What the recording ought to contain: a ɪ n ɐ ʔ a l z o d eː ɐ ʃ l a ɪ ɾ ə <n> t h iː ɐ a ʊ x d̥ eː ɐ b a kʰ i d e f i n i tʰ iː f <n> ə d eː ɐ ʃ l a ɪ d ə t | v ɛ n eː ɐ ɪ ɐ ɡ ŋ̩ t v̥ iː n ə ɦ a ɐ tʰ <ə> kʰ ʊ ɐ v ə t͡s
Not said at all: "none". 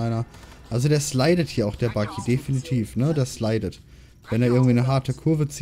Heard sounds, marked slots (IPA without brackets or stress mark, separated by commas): none, n, ə